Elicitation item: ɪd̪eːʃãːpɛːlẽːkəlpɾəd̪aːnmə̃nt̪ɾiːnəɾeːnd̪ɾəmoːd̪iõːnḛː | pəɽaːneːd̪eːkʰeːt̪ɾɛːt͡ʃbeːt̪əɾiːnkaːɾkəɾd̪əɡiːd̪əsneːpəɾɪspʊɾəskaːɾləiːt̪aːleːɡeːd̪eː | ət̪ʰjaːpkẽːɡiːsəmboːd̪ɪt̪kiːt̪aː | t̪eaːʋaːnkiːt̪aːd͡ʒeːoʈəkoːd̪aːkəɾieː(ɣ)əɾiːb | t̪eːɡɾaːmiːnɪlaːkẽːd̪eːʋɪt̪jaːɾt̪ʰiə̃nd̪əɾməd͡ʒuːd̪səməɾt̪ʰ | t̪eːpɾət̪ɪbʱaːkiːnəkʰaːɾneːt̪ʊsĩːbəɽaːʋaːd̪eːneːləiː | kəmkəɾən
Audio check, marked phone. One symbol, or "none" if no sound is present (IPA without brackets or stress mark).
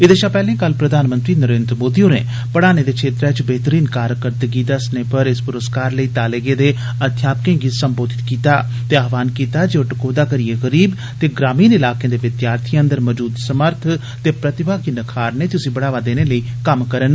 ɣ